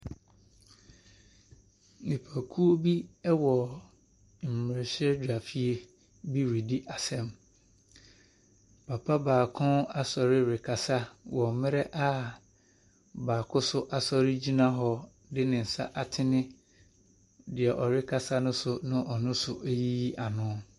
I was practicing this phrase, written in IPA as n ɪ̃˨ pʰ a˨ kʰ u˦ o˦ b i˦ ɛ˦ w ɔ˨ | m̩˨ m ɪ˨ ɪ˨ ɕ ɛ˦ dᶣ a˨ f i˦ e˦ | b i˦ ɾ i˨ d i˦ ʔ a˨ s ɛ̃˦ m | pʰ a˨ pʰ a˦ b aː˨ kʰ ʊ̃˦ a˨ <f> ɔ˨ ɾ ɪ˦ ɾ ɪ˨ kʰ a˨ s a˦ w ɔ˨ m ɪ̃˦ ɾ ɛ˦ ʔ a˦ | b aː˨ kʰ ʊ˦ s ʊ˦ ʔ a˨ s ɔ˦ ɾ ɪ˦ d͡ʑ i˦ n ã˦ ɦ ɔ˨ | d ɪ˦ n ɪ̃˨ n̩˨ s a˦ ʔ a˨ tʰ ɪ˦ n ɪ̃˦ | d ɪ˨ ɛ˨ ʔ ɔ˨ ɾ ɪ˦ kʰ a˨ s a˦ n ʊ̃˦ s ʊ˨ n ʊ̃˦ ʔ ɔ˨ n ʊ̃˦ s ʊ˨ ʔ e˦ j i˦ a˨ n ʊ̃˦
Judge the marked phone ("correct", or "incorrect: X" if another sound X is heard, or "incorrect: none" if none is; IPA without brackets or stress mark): incorrect: s